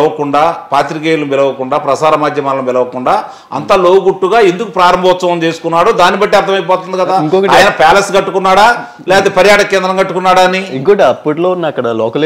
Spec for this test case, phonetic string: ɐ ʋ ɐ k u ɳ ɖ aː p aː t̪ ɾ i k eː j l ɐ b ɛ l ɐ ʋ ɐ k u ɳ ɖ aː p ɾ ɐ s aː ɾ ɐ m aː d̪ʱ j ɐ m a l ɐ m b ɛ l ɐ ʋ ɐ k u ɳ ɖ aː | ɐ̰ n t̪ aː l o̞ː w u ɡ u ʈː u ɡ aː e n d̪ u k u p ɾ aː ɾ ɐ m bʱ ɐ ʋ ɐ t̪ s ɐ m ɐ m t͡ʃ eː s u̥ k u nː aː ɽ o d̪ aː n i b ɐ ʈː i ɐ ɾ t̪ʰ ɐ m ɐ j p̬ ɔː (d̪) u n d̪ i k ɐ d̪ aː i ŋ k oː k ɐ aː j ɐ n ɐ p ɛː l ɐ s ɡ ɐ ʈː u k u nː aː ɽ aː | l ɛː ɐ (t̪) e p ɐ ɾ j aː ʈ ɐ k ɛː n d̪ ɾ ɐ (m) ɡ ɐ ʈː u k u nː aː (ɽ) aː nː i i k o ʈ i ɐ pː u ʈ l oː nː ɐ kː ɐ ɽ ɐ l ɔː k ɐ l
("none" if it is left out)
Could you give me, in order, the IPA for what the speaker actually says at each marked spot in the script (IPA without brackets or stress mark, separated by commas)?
t̪, t̪, ŋ, ɽ